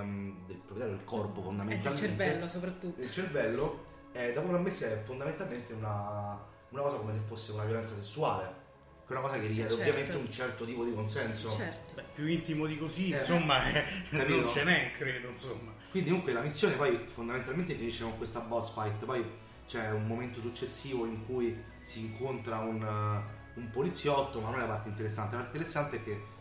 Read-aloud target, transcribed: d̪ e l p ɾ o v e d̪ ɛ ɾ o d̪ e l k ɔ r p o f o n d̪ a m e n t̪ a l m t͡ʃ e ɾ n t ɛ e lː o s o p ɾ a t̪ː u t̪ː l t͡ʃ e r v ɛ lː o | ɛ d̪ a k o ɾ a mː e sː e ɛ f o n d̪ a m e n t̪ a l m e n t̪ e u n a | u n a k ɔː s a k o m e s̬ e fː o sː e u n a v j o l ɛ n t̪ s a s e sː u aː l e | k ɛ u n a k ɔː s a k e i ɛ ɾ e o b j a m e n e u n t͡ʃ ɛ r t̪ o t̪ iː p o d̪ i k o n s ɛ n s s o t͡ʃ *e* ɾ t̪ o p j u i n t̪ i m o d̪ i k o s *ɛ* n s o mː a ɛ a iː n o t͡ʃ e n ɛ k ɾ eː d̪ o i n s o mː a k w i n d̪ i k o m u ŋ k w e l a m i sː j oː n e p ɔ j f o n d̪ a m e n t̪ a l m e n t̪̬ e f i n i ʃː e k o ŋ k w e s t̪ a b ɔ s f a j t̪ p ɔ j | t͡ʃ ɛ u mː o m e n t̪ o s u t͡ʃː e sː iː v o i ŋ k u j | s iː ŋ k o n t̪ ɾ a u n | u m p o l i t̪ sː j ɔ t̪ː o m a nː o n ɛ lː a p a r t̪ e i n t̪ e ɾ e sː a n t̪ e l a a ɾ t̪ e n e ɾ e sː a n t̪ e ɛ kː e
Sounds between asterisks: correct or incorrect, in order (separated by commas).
incorrect, incorrect